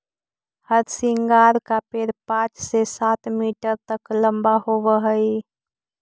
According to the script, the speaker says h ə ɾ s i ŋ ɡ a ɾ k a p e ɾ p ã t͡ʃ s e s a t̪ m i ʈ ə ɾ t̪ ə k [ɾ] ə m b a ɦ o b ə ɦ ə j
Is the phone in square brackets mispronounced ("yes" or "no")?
yes